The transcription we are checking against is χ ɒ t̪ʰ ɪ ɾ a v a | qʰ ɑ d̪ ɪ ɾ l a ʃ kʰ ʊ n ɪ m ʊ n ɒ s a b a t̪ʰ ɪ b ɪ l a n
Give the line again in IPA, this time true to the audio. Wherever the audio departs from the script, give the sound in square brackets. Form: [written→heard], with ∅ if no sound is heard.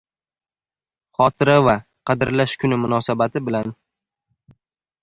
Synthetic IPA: χ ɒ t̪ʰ ɪ ɾ a v a | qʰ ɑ d̪ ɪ ɾ l a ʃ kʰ ʊ n ɪ m ʊ n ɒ s a b a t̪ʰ ɪ b ɪ l a n